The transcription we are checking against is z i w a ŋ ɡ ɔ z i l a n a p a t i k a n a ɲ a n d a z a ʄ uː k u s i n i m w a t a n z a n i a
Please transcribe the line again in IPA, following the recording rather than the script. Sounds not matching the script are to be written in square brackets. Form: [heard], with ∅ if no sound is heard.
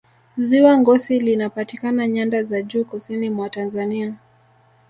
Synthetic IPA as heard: z i w a ŋ ɡ ɔ [s] i l [i] n a p a t i k a n a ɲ a n d a z a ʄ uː k u s i n i m w a t a n z a n i a